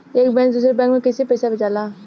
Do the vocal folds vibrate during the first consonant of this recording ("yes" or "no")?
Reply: no